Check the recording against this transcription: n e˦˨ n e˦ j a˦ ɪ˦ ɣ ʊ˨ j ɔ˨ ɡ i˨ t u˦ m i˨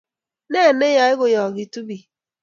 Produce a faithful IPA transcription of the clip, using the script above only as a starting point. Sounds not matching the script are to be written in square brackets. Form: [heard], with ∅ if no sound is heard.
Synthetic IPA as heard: n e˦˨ n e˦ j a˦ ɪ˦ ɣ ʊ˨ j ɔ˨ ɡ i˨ t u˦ [b] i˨